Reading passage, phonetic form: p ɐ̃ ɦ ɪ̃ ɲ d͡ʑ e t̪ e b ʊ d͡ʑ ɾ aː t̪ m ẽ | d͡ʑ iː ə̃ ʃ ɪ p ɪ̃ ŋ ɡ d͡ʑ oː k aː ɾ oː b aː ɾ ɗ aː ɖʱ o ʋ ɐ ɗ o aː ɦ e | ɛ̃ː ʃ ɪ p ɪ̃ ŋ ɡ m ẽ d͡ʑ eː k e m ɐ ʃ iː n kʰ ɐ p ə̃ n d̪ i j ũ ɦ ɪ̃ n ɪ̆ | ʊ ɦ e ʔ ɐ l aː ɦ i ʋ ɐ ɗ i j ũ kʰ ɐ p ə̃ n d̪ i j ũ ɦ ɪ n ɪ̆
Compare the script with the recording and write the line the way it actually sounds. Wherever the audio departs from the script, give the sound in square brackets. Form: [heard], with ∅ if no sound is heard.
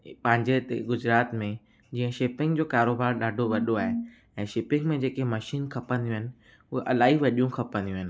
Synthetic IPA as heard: p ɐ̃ ɦ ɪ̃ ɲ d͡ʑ e t̪ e [ɡ] ʊ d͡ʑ ɾ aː t̪ m ẽ | d͡ʑ iː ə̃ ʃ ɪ p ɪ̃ ŋ ɡ d͡ʑ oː k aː ɾ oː b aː ɾ ɗ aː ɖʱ o ʋ ɐ ɗ o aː ɦ e | ɛ̃ː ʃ ɪ p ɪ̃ ŋ ɡ m ẽ d͡ʑ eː k e m ɐ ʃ iː n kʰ ɐ p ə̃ n d̪ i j ũ ɦ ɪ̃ n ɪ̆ | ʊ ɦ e ʔ ɐ l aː ɦ i ʋ ɐ ɗ i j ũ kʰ ɐ p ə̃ n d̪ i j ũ ɦ ɪ n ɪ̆